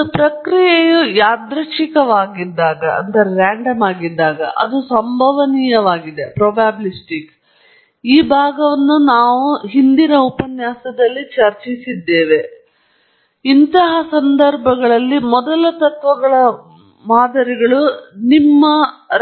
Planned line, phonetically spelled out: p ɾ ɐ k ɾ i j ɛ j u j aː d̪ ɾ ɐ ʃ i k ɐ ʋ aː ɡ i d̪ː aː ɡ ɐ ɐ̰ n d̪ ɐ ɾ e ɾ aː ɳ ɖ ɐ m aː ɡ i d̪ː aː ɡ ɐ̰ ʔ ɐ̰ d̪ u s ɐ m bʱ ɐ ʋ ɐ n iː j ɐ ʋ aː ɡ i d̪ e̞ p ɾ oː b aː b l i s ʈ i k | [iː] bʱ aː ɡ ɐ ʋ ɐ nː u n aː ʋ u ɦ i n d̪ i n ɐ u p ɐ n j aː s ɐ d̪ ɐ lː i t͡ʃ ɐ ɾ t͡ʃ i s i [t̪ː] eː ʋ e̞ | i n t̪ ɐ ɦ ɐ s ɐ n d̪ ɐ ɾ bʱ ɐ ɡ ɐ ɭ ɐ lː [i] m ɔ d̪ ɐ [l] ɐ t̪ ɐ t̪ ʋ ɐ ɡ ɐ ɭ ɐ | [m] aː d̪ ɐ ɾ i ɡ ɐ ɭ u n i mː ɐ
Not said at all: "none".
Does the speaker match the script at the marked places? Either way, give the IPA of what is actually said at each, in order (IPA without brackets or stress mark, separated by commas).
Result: iː, d̪ː, i, l, m